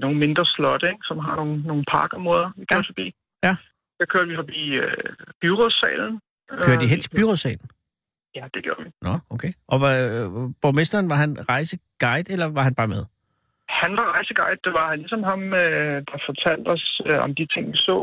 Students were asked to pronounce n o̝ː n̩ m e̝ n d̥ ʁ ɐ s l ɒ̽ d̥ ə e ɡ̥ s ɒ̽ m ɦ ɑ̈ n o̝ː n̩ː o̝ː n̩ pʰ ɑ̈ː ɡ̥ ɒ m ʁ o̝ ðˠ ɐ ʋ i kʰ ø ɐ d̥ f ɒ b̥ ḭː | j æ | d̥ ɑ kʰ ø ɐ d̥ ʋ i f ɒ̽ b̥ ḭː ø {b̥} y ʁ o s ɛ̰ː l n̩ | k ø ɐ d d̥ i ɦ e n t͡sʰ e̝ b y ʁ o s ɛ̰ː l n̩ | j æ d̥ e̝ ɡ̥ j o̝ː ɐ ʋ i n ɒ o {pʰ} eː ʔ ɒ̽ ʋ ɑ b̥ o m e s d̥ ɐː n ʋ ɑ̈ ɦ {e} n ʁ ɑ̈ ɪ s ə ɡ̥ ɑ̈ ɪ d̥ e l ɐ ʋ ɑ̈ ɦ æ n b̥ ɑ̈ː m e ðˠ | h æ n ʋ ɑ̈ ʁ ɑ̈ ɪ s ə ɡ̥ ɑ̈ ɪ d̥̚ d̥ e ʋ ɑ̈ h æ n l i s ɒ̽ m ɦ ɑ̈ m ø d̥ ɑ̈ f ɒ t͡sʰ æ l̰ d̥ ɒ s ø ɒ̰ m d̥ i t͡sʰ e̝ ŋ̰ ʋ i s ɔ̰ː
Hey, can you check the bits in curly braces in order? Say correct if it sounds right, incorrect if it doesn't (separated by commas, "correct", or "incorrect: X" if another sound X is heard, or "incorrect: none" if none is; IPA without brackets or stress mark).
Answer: correct, incorrect: kʰ, incorrect: æ